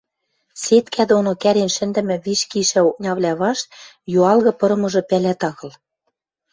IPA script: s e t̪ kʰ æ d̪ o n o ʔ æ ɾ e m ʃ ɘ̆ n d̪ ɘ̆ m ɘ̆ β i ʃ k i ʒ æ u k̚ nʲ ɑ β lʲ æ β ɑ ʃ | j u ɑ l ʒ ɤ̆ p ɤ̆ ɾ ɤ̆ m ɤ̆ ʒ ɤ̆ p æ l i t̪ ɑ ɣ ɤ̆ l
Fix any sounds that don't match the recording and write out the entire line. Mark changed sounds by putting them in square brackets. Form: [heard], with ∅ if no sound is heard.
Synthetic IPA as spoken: s e t̪ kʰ æ d̪ o n o [k] æ ɾ e [n] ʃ ɘ̆ n d̪ ɘ̆ m ɘ̆ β i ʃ k i [ʃ] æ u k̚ nʲ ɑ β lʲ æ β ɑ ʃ | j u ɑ l [ɣ] ɤ̆ p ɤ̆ ɾ ɤ̆ m ɤ̆ ʒ ɤ̆ p æ l [æ] t̪ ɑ ɣ ɤ̆ l